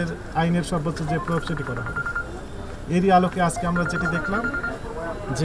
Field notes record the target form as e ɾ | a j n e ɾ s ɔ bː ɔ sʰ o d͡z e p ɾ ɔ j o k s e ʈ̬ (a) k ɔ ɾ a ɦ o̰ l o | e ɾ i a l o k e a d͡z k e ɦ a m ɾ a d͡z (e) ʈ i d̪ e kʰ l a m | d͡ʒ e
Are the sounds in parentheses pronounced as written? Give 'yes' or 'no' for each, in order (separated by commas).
no, yes